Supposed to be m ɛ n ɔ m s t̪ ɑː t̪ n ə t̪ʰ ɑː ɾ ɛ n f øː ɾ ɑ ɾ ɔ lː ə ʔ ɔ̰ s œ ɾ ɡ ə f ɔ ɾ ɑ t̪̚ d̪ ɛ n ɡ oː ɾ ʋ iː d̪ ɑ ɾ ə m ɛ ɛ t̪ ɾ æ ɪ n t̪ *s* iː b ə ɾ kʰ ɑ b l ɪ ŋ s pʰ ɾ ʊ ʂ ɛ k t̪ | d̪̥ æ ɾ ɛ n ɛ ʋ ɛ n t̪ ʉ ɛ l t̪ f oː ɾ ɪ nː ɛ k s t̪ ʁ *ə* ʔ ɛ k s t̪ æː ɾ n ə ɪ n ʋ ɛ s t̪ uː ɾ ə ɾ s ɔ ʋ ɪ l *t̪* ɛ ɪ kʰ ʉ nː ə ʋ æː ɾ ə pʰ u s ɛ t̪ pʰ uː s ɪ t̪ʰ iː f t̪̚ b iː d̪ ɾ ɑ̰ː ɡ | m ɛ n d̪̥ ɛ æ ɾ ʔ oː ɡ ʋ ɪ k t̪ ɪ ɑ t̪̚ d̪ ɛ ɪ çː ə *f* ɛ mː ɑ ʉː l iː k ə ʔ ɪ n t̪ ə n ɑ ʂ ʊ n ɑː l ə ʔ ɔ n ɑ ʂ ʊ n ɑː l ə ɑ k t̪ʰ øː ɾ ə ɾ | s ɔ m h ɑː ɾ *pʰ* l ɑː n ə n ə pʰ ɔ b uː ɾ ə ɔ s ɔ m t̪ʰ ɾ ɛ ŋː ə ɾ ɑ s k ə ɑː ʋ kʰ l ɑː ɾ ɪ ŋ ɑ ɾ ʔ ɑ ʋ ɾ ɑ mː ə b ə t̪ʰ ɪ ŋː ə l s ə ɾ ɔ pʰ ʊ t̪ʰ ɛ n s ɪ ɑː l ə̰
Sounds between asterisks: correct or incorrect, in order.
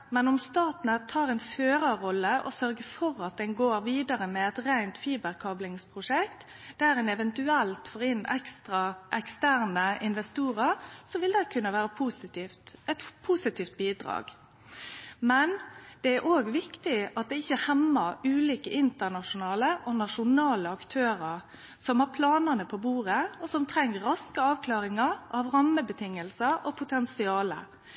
incorrect: f, incorrect: ɑ, incorrect: d̪, incorrect: h, correct

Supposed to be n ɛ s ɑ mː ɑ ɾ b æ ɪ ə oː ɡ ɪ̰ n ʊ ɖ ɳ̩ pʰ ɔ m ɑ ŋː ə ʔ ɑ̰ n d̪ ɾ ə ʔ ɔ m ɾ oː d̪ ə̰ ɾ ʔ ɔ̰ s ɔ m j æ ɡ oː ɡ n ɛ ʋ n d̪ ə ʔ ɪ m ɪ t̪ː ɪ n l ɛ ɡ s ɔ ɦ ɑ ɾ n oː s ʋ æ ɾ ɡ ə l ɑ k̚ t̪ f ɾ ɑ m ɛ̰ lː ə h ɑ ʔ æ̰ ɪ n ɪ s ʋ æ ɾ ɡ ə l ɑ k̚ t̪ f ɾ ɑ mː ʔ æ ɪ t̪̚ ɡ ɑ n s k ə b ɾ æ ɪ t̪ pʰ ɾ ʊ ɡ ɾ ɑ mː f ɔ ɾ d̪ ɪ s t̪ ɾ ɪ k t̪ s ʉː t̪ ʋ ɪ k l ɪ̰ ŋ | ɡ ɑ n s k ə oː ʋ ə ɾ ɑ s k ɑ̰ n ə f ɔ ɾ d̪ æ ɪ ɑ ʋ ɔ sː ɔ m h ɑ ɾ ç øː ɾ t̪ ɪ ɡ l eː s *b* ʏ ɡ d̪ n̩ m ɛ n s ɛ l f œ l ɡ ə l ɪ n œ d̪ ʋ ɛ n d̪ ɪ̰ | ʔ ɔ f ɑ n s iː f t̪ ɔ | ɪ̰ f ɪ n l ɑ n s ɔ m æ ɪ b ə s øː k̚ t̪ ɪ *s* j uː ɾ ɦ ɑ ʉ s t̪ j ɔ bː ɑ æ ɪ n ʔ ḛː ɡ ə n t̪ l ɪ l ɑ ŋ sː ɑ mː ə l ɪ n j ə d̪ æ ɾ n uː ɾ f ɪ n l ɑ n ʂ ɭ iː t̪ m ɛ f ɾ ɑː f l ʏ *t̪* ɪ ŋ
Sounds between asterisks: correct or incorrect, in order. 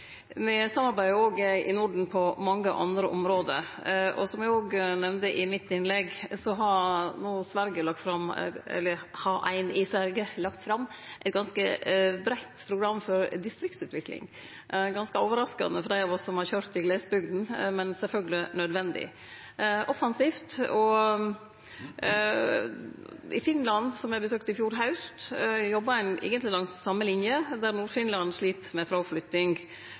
correct, incorrect: f, correct

